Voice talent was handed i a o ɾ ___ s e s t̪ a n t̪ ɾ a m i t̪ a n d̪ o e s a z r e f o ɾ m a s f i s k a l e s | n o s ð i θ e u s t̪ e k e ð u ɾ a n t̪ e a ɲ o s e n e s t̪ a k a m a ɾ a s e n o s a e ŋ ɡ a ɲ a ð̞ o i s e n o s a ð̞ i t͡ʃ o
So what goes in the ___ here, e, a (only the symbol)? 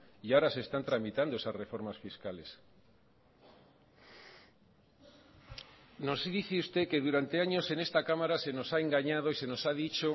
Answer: a